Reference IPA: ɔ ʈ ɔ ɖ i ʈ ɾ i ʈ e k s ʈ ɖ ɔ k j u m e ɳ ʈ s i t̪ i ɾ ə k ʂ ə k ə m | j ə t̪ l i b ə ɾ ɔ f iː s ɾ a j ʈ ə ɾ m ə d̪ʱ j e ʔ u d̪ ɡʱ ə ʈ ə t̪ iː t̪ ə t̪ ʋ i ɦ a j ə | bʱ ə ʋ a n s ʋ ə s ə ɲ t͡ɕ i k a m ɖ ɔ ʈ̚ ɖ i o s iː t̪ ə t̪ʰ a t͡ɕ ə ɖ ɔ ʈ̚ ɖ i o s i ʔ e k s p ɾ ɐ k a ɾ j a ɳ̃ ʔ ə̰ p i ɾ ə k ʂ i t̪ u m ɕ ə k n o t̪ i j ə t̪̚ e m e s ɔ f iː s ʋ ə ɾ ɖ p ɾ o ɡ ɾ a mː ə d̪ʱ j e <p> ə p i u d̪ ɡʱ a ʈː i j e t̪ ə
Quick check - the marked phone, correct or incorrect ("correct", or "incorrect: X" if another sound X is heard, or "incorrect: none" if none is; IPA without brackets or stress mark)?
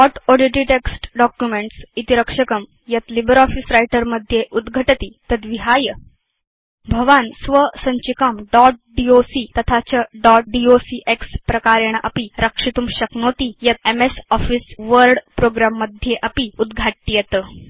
incorrect: ʔ